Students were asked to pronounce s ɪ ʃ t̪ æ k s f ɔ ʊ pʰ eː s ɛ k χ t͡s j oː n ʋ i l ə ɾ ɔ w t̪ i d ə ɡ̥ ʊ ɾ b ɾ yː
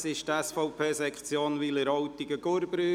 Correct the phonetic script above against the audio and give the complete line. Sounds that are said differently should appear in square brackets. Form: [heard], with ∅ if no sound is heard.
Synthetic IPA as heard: s ɪ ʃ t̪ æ [∅] s f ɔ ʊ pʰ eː s ɛ k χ t͡s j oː n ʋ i l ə ɾ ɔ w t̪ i [ɡ] ə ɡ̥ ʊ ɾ b ɾ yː